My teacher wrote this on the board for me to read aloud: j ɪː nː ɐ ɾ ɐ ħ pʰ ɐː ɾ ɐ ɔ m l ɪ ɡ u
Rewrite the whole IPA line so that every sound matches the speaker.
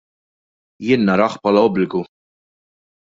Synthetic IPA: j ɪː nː ɐ ɾ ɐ ħ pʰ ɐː l ɐ ɔ b l ɪ ɡ u